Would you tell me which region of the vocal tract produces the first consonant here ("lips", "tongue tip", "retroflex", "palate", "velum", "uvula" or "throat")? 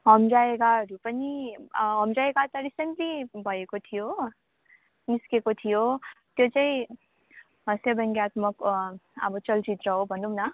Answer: throat